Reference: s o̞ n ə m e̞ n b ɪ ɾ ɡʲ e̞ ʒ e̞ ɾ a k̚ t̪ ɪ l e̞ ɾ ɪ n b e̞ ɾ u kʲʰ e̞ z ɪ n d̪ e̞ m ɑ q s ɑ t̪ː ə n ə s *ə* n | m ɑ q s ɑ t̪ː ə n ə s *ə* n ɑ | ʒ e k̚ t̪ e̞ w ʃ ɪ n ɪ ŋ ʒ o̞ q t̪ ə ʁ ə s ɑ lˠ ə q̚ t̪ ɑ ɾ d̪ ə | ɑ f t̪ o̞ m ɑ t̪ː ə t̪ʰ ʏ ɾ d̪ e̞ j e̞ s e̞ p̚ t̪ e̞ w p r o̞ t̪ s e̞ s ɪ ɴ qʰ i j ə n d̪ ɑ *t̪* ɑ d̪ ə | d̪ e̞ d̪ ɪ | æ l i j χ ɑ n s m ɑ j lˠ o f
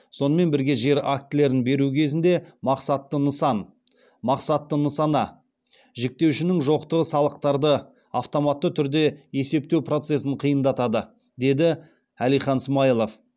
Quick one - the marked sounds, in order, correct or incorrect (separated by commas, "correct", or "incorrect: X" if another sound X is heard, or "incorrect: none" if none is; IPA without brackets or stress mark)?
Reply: incorrect: ɑ, incorrect: ɑ, correct